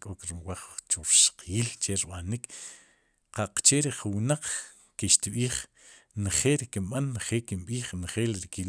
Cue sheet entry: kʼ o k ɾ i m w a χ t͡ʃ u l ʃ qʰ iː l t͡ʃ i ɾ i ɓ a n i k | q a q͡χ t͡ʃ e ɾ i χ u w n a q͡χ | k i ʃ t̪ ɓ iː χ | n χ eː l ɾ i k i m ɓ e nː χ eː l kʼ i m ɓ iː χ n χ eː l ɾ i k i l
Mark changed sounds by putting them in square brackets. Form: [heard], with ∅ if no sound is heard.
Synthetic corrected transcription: kʼ o k ɾ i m w a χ t͡ʃ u [ɾ] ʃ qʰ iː l t͡ʃ [e] ɾ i ɓ a n i k | q a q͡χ t͡ʃ e ɾ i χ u w n a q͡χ | k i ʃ t̪ ɓ iː χ | n χ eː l ɾ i k i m ɓ [a] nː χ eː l [k] i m ɓ iː χ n χ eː l ɾ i k i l